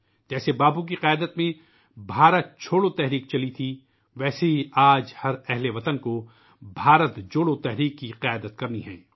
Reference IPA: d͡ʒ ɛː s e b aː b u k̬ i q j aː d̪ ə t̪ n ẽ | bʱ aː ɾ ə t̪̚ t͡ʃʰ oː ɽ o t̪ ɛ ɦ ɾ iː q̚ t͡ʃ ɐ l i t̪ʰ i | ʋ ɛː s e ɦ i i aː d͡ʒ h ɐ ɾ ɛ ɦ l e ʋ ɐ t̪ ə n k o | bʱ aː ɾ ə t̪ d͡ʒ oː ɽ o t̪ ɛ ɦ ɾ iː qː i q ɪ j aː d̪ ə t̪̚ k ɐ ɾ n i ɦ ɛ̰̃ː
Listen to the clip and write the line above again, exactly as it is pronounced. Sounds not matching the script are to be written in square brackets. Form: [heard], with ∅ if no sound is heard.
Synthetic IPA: d͡ʒ ɛː s e b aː b u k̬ i q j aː d̪ ə t̪ [m] ẽ | bʱ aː ɾ ə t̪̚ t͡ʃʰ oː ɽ o t̪ ɛ ɦ ɾ iː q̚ t͡ʃ ɐ l i t̪ʰ i | ʋ ɛː s e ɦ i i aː d͡ʒ h ɐ ɾ ɛ ɦ l e ʋ ɐ t̪ ə n k o | bʱ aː ɾ ə t̪ d͡ʒ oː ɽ o t̪ ɛ ɦ ɾ iː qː i q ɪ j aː d̪ ə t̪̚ k ɐ ɾ n i ɦ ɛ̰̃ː

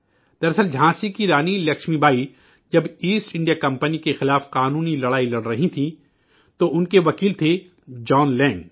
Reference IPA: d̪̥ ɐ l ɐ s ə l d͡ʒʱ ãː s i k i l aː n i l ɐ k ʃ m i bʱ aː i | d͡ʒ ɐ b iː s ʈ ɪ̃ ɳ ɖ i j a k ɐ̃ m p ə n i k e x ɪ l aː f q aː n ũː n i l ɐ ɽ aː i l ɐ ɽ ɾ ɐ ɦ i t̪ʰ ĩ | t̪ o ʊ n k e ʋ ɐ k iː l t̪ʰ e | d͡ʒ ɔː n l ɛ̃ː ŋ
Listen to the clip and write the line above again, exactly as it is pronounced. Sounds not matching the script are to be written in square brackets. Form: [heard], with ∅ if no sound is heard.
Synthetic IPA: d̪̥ ɐ [ɾ] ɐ s ə l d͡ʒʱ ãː s i k i [ɾ] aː n i l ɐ k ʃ m i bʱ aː i | d͡ʒ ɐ b iː s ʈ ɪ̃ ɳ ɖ i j a k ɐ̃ m p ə n i k e x ɪ l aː f q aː n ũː n i l ɐ ɽ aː i l ɐ ɽ ɾ ɐ ɦ i t̪ʰ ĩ | t̪ o ʊ n k e ʋ ɐ k iː l t̪ʰ e | d͡ʒ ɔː n l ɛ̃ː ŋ

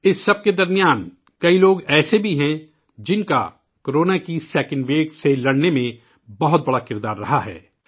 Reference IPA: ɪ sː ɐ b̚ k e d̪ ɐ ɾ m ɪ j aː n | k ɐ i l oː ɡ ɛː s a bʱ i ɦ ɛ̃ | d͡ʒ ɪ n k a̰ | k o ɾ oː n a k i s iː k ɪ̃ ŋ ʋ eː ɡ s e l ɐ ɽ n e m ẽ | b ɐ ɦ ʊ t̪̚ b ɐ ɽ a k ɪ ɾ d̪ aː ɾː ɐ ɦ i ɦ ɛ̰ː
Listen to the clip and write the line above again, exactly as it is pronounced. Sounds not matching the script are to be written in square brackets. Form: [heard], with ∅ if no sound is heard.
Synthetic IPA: ɪ sː ɐ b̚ k e d̪ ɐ ɾ m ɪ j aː n | k ɐ i l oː ɡ ɛː s [e] bʱ i ɦ ɛ̃ | d͡ʒ ɪ n k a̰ | k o ɾ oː n a k i s [ɛː] k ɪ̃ [n] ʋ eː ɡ s e l ɐ ɽ n e m ẽ | b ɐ ɦ ʊ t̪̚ b ɐ ɽ a k ɪ ɾ d̪ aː ɾː ɐ ɦ [a] ɦ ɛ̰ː

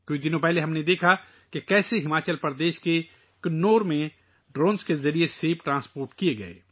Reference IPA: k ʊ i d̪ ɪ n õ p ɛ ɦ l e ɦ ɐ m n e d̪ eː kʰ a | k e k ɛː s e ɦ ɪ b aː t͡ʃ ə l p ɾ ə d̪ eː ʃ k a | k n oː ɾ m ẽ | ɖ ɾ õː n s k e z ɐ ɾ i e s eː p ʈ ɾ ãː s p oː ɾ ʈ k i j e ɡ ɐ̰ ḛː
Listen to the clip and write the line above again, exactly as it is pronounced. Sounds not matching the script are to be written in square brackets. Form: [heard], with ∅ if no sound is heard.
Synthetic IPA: k ʊ i d̪ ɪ n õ p ɛ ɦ l e ɦ ɐ m n e d̪ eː kʰ a | k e k ɛː s e ɦ ɪ [m] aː t͡ʃ ə l p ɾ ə d̪ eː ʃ k [e] | k n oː ɾ m ẽ | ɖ ɾ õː n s k e z ɐ ɾ i e s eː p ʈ ɾ ãː s p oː ɾ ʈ k i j e ɡ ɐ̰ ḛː

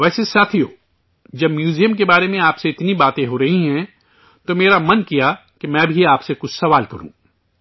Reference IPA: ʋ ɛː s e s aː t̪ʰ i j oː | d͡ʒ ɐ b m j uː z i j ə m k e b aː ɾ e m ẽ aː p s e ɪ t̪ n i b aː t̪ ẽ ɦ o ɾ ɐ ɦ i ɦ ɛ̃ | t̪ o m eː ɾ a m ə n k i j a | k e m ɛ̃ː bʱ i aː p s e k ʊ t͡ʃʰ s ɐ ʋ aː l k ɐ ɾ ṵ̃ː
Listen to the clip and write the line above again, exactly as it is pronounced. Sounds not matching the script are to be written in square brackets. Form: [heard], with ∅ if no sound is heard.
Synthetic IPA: ʋ ɛː s e s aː t̪ʰ i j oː | d͡ʒ ɐ b m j uː z i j ə m k e b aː ɾ e m ẽ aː p s e ɪ t̪ n i b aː t̪ ẽ ɦ o ɾ ɐ ɦ i ɦ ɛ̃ | t̪ o m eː ɾ a m [ɐ] n k i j a | k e m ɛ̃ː bʱ i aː p s e k ʊ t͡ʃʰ s ɐ ʋ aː l k ɐ ɾ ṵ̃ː

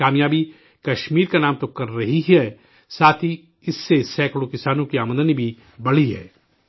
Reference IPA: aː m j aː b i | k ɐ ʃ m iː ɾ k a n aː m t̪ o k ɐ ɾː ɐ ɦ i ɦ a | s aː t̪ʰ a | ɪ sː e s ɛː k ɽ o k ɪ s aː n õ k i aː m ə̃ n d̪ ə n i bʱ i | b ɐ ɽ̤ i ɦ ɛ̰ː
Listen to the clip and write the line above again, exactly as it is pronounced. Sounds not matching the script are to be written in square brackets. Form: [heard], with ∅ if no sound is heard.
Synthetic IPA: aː m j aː b i | k ɐ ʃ m iː ɾ k a n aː m t̪ o k ɐ ɾː ɐ ɦ i ɦ [ɛ] | s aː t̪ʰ [i] | ɪ sː e s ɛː k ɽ o k ɪ s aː n õ k i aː m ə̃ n d̪ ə n i bʱ i | b ɐ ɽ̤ i ɦ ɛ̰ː

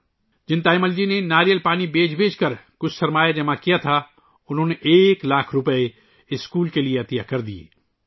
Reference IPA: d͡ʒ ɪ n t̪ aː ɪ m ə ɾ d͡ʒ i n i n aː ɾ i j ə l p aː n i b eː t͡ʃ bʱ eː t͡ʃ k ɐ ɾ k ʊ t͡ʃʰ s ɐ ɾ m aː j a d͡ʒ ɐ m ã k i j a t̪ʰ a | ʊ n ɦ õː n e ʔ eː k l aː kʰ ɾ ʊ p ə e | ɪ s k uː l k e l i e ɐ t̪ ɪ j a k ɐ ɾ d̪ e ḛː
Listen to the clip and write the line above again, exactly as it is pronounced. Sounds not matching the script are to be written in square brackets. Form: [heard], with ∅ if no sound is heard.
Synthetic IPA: d͡ʒ ɪ n t̪ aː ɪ m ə [l] d͡ʒ i n [e] n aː ɾ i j ə l p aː n i b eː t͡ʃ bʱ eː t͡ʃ k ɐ ɾ k ʊ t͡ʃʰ s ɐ ɾ m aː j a d͡ʒ ɐ m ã k i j a t̪ʰ a | ʊ n ɦ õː n e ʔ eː k l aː kʰ ɾ ʊ p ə e | ɪ s k uː l k e l i e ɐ t̪ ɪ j a k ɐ ɾ d̪ [i] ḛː

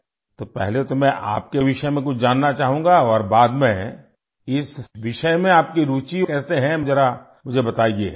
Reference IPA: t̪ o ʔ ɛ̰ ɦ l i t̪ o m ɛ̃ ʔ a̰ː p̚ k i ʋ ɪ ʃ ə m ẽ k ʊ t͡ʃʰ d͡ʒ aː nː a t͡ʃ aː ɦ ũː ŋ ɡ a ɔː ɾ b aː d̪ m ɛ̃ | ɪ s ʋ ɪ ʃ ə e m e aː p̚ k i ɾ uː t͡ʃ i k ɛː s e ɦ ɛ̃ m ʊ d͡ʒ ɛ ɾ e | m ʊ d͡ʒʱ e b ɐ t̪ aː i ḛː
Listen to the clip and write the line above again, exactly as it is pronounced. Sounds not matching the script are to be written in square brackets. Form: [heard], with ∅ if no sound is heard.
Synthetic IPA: t̪ o [p] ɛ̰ ɦ l [e] t̪ o m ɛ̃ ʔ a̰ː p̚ k [e] ʋ ɪ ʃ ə m ẽ k ʊ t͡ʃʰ d͡ʒ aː nː a t͡ʃ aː ɦ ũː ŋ ɡ a ɔː ɾ b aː d̪ m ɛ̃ | ɪ s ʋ ɪ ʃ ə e m [ẽ] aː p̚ k i ɾ uː t͡ʃ i k ɛː s e ɦ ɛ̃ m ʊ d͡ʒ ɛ ɾ [a] | m ʊ d͡ʒʱ e b ɐ t̪ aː i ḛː

